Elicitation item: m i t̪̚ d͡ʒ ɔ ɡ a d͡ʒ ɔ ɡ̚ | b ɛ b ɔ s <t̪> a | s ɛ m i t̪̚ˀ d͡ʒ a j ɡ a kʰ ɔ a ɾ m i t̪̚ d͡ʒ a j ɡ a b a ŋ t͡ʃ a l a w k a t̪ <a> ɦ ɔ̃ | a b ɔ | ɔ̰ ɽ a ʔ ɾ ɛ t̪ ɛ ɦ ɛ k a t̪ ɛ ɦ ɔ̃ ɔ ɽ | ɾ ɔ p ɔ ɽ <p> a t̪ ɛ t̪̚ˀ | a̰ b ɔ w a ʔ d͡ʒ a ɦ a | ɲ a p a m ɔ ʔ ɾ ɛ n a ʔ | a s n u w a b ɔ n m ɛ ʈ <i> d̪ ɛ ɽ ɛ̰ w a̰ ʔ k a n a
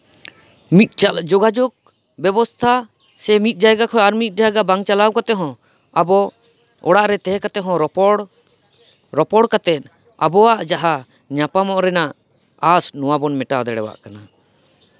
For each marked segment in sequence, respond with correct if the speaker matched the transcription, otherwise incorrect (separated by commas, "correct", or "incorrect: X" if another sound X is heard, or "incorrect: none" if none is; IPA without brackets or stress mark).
incorrect: t̪ʰ, incorrect: ɛ, incorrect: k, incorrect: a